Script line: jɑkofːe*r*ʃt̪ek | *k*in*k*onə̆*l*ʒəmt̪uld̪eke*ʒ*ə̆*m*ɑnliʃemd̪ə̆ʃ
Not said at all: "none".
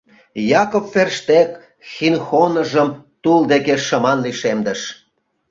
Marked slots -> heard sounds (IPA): r, x, x, none, ʃ, m

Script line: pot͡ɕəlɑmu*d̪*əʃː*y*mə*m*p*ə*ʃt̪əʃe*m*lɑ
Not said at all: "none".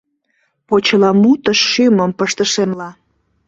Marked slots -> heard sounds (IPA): t̪, y, m, ə, m

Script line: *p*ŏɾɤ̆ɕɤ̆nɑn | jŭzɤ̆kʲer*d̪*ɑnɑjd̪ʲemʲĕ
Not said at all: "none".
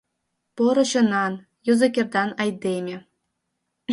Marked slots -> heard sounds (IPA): p, d̪

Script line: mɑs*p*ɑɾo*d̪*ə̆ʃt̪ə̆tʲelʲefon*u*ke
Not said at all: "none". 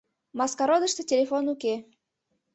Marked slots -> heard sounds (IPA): k, d̪, u

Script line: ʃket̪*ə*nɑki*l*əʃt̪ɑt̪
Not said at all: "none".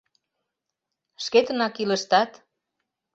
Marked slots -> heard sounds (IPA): ə, l

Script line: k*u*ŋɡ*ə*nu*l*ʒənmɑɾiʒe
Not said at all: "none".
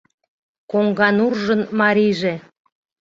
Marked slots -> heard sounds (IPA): o, ɑ, r

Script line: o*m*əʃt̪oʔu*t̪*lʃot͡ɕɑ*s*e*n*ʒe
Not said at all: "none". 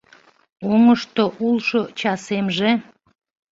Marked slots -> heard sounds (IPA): ŋ, none, s, m

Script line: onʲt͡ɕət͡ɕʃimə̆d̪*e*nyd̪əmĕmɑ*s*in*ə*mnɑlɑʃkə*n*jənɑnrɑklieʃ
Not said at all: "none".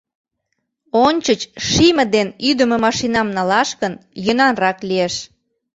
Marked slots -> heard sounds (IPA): e, ʃ, ɑ, n

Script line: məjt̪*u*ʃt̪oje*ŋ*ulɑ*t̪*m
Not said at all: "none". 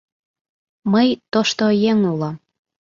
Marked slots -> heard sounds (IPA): o, ŋ, none

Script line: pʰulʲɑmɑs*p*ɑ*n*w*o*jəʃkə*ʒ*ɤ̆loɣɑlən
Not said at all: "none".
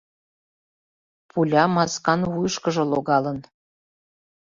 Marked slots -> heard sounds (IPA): k, n, u, ʒ

